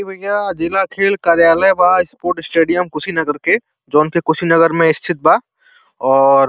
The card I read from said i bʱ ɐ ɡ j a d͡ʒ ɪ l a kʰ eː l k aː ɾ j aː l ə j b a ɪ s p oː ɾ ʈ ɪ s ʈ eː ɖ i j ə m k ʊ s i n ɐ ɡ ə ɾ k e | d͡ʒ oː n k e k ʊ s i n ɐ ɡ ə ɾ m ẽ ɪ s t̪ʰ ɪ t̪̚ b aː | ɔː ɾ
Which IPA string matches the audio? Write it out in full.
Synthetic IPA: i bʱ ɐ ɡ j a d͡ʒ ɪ l a kʰ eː l k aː ɾ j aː l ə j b a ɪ s p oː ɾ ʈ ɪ s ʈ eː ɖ i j ə m k ʊ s i n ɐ ɡ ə ɾ k e | d͡ʒ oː n k e k ʊ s i n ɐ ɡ ə ɾ m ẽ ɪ s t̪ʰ ɪ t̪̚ b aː | ɔː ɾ